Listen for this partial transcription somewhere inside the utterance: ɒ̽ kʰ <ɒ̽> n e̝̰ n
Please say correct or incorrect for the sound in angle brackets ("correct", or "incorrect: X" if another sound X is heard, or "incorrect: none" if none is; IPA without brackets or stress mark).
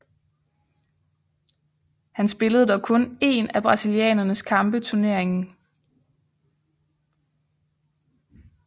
incorrect: ɔ̽